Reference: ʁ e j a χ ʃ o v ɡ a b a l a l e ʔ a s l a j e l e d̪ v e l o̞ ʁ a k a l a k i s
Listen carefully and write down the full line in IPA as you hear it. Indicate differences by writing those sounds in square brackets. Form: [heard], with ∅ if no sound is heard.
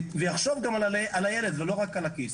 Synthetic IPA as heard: [v] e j a χ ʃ o v ɡ a [m] a l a l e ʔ a [∅] l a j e l e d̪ v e l o̞ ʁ a k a l a k i s